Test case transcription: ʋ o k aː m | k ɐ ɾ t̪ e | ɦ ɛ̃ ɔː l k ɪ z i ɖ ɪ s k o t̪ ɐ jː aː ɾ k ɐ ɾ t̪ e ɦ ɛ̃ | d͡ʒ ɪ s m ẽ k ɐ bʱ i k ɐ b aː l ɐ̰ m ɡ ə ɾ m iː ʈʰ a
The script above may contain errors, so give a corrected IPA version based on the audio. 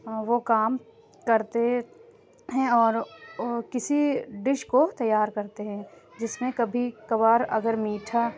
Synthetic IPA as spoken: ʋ o k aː m | k ɐ ɾ t̪ e | ɦ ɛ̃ ɔː ɾ k ɪ s i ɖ ɪ ʃ k o t̪ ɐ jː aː ɾ k ɐ ɾ t̪ e ɦ ɛ̃ | d͡ʒ ɪ s m ẽ k ɐ bʱ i k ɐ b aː ɾ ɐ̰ ɡ ə ɾ m iː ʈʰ a

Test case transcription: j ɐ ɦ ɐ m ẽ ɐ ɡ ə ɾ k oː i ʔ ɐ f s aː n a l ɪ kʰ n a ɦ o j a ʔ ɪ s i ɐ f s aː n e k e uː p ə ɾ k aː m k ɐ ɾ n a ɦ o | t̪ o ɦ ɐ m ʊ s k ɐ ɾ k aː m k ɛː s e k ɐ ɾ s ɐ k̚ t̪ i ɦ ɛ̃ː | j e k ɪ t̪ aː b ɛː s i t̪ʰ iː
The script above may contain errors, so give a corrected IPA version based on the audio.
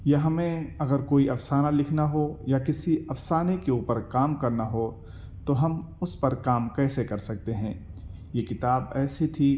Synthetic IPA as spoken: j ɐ ɦ ɐ m ẽ ɐ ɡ ə ɾ k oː i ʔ ɐ f s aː n a l ɪ kʰ n a ɦ o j a k ɪ s i ɐ f s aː n e k e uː p ə ɾ k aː m k ɐ ɾ n a ɦ o | t̪ o ɦ ɐ m ʊ s p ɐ ɾ k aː m k ɛː s e k ɐ ɾ s ɐ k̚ t̪ e ɦ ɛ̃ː | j e k ɪ t̪ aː b ɛː s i t̪ʰ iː

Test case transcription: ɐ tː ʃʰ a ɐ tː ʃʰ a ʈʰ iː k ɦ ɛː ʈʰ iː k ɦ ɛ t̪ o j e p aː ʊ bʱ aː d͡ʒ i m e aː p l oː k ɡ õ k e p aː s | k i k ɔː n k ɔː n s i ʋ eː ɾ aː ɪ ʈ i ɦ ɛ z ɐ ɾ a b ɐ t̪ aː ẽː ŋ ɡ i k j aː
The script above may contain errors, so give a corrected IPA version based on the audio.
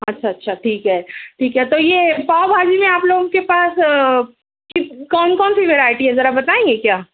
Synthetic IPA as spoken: ɐ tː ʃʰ a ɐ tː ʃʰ a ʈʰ iː k ɦ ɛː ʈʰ iː k ɦ ɛ t̪ o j e p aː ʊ bʱ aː d͡ʒ i m ẽ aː p l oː ɡ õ k e p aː s | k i k ɔː n k ɔː n s i ʋ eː ɾ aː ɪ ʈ i ɦ ɛ z ɐ ɾ a b ɐ t̪ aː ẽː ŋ ɡ e k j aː

